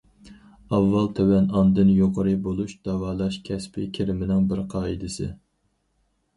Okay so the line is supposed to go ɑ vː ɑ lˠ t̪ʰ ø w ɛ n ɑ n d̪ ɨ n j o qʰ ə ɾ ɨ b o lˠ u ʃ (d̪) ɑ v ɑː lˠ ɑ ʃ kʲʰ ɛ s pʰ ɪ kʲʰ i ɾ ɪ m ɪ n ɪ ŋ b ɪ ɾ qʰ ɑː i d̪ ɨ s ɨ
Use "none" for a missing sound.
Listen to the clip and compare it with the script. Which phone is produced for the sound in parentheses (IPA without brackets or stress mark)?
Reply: d̪